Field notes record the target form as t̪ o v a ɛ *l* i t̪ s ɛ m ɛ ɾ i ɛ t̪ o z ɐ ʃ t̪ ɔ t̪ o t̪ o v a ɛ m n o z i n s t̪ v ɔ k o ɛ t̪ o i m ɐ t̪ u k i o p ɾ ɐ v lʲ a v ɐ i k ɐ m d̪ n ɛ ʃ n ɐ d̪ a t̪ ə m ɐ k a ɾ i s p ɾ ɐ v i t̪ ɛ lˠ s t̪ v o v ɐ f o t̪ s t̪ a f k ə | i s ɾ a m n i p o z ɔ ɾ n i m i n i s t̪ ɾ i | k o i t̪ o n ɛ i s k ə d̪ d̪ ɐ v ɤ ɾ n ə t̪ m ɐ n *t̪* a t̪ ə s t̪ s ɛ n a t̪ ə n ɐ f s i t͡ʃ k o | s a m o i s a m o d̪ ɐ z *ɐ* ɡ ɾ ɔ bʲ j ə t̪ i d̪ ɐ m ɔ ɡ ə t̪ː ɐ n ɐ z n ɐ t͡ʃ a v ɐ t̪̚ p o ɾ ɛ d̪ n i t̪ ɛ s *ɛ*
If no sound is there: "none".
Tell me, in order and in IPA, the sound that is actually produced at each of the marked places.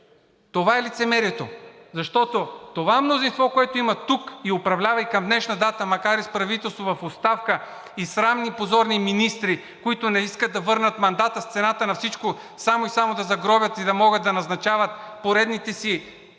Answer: l, d̪, ɐ, i

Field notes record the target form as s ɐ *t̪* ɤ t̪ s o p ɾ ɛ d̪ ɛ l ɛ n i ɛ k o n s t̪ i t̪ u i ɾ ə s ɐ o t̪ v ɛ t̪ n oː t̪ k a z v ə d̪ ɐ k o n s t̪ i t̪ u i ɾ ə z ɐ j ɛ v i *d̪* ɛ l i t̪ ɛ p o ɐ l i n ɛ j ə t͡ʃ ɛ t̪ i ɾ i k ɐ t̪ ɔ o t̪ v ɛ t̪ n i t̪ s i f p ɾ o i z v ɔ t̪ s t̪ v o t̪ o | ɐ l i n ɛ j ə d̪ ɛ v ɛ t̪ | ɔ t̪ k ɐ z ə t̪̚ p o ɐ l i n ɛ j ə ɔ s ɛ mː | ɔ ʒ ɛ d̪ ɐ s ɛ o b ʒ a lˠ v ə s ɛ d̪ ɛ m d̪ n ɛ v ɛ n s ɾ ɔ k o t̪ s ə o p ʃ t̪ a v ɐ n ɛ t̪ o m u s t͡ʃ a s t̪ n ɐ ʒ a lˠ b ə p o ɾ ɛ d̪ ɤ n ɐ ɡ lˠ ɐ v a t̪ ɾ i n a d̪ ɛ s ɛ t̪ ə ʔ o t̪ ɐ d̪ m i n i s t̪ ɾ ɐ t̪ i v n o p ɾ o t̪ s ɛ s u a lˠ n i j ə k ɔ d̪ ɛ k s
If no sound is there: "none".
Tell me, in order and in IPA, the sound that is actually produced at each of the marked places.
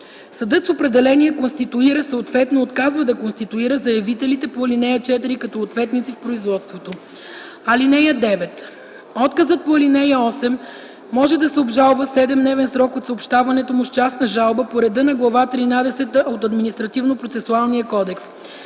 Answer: d̪, t̪

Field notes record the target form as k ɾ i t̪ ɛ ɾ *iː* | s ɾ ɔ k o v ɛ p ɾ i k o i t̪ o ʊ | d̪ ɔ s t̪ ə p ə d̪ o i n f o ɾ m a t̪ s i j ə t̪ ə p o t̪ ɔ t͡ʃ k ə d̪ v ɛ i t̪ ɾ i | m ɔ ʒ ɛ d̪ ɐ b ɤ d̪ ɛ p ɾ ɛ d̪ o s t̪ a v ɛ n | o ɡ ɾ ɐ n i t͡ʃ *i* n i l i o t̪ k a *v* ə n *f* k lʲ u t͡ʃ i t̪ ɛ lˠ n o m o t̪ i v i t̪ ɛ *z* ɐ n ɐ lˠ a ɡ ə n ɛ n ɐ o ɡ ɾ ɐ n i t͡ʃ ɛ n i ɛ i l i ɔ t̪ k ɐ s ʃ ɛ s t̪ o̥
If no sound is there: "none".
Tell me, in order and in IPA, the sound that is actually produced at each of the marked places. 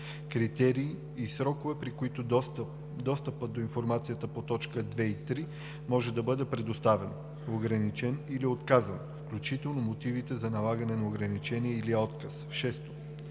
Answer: iː, ɛ, z, f, z

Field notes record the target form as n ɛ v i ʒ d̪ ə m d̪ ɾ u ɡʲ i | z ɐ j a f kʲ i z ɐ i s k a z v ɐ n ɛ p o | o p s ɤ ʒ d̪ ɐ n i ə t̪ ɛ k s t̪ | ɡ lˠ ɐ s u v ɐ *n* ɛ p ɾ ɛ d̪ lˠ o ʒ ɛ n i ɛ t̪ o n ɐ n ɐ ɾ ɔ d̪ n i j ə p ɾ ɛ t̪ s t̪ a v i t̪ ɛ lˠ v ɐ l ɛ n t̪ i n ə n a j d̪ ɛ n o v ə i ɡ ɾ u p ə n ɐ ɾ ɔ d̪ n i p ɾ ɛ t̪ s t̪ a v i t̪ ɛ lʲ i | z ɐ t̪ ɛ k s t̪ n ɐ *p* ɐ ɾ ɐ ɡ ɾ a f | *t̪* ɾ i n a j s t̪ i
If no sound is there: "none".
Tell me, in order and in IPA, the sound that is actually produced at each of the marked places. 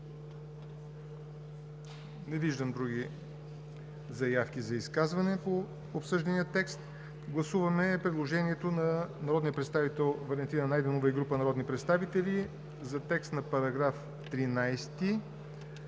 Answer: m, p, t̪

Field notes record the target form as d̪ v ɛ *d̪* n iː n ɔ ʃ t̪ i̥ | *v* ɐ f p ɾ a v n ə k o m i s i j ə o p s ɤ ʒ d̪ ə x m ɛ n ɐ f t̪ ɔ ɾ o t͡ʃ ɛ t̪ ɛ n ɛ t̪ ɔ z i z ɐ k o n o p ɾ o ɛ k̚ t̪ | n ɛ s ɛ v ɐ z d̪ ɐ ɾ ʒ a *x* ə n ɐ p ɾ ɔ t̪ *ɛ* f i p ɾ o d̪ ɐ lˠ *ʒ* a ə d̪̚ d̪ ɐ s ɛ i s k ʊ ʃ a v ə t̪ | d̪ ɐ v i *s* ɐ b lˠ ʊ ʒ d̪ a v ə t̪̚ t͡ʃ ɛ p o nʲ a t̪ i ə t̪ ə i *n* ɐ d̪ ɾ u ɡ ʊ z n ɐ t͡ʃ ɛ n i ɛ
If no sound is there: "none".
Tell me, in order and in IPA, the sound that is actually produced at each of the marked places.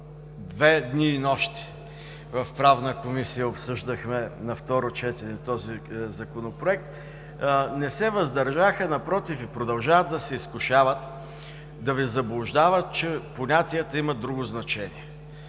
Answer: d̪, v, x, i, ʒ, z, m

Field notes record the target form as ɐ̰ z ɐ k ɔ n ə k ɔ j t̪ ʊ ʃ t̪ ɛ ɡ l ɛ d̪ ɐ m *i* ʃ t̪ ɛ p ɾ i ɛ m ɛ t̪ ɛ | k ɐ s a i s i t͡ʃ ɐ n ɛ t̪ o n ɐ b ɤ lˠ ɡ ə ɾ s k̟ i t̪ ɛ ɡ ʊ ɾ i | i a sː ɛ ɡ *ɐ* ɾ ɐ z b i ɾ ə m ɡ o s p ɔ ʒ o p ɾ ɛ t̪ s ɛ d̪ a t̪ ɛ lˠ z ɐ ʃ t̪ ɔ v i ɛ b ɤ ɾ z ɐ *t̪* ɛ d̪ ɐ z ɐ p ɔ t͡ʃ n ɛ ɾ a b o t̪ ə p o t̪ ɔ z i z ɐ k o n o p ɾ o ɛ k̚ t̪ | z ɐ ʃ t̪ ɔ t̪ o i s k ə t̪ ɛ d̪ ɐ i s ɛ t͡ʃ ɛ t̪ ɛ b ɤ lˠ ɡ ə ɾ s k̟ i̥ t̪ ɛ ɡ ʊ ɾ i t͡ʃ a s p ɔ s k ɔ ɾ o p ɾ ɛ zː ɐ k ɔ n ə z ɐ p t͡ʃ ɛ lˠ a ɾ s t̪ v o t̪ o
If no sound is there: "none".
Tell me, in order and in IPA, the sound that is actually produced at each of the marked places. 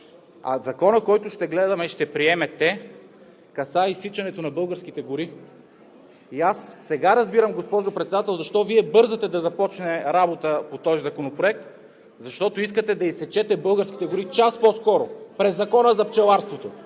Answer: ɛ, a, t̪

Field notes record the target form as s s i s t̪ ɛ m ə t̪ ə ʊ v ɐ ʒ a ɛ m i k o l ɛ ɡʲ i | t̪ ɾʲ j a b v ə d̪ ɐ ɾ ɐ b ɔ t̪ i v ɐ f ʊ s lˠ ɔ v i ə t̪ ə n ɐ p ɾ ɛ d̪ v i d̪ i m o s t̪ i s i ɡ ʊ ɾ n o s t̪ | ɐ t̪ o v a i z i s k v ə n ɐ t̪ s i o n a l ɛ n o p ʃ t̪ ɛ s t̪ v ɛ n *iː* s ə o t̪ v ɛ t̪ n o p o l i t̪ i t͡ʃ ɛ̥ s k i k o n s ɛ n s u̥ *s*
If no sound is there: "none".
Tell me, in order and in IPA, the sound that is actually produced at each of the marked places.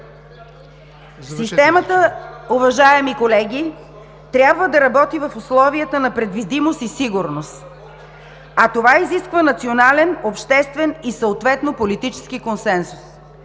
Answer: i, s

